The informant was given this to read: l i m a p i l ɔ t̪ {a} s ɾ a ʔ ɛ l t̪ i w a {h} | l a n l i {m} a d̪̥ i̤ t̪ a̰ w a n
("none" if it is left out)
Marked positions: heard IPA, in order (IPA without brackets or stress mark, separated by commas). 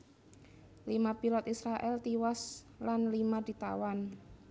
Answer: i, s, m